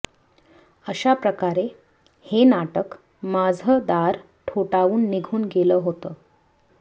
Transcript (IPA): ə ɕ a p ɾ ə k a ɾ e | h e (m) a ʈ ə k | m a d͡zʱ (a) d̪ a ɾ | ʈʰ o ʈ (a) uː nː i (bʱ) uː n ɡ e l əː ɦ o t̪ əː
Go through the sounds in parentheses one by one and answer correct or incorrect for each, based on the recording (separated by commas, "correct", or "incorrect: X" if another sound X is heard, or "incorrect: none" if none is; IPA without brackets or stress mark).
incorrect: n, incorrect: ə, correct, incorrect: ɡʱ